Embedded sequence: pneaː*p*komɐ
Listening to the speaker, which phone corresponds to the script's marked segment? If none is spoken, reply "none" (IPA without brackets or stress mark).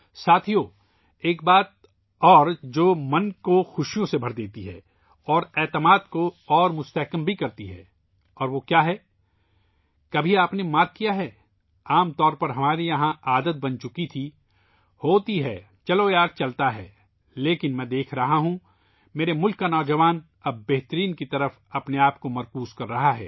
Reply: p